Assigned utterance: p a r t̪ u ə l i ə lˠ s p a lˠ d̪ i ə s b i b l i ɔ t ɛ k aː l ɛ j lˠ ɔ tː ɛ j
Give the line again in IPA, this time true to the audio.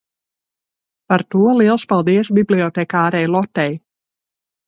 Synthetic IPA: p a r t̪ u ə l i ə lˠ s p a lˠ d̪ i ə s b i b l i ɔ t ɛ k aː ɾ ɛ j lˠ ɔ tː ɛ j

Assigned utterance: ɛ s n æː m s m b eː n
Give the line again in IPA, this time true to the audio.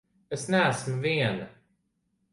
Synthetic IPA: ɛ s n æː s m v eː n

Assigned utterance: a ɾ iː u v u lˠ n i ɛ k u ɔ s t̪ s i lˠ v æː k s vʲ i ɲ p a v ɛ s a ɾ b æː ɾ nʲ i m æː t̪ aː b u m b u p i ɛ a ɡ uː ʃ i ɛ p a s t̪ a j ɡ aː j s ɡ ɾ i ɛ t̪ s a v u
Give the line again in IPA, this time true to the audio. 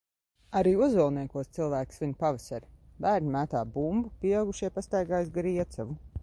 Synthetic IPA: a ɾ iː u z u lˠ n i ɛ k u ɔ s t̪ s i lˠ v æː k s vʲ i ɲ p a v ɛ s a ɾ b æː ɾ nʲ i m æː t̪ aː b u m b u p i ɛ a ɡ u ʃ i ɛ p a s t̪ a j ɡ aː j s ɡ ɾ i ɛ t̪ s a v u

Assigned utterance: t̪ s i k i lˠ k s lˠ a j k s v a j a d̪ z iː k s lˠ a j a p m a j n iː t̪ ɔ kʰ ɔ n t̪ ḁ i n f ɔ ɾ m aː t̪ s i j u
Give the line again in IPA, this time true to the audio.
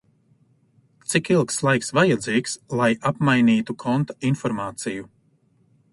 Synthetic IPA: t̪ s i k i lˠ k s lˠ a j k s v a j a d̪ z iː k s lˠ a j a p m a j n iː t̪ u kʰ ɔ n t̪ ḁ i n f ɔ ɾ m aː t̪ s i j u

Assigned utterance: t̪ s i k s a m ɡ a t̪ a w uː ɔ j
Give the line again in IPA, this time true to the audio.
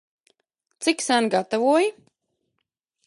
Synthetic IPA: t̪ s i k s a n ɡ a t̪ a v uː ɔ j

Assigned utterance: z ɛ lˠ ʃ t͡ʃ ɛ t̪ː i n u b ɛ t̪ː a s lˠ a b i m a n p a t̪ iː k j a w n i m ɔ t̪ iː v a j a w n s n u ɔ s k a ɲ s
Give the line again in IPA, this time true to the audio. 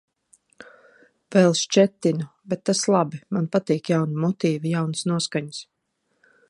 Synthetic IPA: v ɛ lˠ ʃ t͡ʃ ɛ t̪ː i n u b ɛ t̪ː a s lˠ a b i m a n p a t̪ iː k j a w n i m ɔ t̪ iː v i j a w n s n u ɔ s k a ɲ s

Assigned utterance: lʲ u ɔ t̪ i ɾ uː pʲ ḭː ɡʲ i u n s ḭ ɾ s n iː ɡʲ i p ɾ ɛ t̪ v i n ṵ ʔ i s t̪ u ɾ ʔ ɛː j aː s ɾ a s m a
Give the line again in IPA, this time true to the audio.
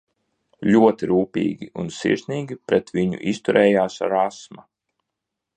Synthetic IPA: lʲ u ɔ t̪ i ɾ uː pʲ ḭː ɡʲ i u n s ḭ ɾ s n iː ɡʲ i p ɾ ɛ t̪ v i ɲ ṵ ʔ i s t̪ u ɾ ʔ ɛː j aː s ɾ a s m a

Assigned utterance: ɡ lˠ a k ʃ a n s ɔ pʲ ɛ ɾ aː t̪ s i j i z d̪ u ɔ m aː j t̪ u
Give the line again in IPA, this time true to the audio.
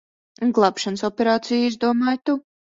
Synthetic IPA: ɡ lˠ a p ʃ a n s ɔ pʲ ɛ ɾ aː t̪ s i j i z d̪ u ɔ m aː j t̪ u

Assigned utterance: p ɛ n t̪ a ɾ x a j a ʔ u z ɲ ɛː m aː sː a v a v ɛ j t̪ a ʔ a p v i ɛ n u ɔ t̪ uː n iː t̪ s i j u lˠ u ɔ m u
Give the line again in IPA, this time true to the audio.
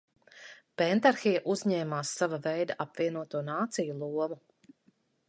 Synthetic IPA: p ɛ n t̪ a ɾ x i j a ʔ u z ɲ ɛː m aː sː a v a v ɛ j d̪ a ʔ a p v i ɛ n u ɔ t̪ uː n aː t̪ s i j u lˠ u ɔ m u

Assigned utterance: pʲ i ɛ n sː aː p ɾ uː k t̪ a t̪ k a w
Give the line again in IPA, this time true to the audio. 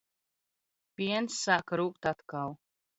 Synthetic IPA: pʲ i ɛ n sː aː k ɾ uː k t̪ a t̪ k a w

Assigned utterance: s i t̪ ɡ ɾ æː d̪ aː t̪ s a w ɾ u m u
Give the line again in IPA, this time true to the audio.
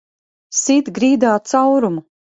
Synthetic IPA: s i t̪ ɡ ɾ iː d̪ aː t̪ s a w ɾ u m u

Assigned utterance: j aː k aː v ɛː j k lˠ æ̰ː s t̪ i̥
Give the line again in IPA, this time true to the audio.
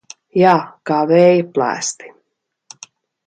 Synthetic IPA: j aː k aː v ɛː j p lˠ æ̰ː s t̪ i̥

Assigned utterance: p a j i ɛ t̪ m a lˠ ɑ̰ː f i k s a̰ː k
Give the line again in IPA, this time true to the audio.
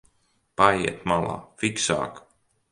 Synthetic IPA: p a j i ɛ t̪ m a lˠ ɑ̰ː f i k s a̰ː k

